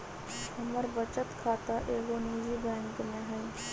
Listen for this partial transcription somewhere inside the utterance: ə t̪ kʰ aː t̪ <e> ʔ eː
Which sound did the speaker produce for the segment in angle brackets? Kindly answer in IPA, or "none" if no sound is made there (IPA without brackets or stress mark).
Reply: a